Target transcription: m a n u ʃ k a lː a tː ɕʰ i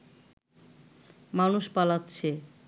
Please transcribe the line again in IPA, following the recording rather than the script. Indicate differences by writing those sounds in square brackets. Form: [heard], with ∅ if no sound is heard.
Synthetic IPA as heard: m a n u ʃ [p] a [l] a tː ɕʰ [e]